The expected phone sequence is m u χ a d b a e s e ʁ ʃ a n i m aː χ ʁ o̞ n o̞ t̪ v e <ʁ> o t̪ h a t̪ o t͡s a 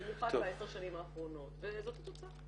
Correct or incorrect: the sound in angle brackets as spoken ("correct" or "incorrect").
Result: incorrect